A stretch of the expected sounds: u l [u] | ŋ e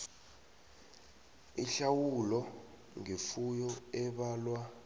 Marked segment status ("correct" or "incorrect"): incorrect